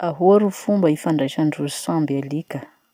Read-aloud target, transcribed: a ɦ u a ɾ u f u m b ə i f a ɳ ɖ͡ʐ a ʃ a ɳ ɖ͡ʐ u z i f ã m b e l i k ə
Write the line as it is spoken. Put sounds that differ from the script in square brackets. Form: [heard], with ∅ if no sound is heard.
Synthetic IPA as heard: a ɦ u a ɾ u f u m b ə i f a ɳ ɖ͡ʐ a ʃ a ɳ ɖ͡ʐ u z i [s] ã m b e l i k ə